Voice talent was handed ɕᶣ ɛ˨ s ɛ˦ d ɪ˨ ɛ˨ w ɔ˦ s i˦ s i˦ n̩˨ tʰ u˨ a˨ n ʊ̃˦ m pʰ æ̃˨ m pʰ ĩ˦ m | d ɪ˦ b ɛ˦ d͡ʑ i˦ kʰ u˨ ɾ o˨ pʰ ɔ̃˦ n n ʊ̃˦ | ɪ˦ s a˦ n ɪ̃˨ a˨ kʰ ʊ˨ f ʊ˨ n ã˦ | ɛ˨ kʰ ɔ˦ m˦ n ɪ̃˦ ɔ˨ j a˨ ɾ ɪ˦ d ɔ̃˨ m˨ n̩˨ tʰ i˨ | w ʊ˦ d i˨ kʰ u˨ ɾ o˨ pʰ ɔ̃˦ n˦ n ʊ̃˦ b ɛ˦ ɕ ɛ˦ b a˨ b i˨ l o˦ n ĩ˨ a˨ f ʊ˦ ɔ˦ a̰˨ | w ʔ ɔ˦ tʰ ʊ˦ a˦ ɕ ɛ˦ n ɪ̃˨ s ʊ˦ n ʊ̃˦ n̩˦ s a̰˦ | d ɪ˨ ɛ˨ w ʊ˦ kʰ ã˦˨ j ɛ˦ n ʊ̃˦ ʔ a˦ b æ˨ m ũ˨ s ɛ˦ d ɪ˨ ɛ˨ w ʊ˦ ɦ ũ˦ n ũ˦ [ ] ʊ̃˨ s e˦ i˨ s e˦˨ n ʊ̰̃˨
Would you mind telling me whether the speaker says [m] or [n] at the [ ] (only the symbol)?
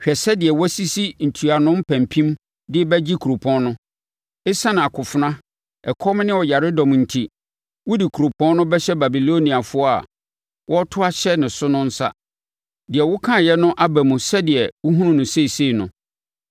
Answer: n